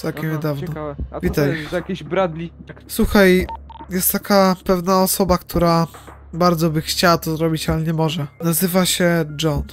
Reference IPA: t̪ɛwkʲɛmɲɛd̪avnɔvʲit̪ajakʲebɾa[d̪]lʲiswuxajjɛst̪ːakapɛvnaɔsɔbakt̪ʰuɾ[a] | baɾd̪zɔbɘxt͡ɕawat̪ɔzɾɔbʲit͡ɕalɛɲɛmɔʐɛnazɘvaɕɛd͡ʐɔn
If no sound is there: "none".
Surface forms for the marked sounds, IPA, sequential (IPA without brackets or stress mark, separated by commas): d̪, a